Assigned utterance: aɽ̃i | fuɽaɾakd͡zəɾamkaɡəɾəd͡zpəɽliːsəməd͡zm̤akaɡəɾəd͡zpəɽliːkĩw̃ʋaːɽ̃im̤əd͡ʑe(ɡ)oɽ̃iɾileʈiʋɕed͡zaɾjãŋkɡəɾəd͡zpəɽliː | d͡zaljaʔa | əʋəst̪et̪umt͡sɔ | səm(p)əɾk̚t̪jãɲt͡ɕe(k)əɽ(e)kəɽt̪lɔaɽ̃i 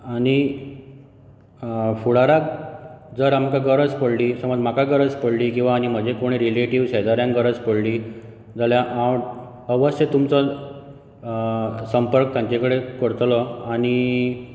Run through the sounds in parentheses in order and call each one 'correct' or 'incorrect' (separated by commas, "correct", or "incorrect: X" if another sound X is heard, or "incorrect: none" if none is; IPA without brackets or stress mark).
incorrect: k, correct, correct, correct